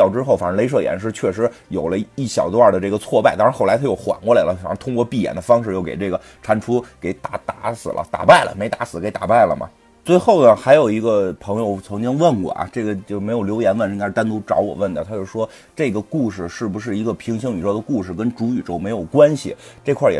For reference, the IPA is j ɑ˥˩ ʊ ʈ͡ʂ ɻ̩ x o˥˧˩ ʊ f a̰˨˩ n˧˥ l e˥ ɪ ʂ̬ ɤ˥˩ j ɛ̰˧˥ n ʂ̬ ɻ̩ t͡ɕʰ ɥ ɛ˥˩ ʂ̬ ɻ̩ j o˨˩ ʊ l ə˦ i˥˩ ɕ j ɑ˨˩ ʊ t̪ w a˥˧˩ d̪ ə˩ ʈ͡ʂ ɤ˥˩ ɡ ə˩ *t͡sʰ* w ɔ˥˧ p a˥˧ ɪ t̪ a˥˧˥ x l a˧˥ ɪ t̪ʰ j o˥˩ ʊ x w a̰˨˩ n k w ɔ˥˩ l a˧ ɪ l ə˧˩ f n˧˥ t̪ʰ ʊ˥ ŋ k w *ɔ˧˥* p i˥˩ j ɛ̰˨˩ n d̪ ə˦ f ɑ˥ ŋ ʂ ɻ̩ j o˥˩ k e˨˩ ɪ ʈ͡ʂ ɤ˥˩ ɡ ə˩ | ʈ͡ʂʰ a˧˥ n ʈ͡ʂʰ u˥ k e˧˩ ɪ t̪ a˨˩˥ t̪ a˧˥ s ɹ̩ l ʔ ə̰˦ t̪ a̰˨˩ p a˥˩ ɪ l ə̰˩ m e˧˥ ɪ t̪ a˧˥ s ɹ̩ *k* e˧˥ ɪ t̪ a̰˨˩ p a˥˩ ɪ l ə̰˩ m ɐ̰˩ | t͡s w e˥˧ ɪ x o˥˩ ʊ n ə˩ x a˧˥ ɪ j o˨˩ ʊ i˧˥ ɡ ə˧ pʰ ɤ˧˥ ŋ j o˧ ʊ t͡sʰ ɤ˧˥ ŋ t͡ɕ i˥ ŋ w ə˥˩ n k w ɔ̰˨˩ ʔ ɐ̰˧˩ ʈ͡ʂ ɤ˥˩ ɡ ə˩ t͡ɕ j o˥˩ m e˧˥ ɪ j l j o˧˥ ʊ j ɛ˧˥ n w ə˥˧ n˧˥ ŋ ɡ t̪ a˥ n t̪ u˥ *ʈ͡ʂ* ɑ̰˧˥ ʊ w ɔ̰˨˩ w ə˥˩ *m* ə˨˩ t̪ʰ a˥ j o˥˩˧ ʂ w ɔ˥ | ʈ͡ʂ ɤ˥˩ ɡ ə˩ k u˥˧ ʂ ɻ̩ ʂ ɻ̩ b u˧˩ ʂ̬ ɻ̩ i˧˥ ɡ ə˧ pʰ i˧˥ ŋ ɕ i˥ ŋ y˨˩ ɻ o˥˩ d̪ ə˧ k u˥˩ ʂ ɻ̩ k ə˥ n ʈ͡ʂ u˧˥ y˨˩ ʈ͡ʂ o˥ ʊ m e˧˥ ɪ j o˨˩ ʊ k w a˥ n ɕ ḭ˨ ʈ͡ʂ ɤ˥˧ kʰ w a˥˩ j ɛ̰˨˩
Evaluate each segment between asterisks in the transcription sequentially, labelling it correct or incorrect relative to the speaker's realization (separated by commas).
correct, incorrect, correct, correct, incorrect